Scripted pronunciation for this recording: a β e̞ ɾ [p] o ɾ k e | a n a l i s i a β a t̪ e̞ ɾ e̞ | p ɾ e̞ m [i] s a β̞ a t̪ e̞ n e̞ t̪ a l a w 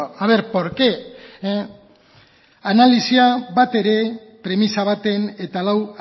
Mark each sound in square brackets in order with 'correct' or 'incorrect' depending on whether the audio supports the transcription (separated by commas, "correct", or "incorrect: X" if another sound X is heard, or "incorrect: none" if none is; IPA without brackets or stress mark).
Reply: correct, correct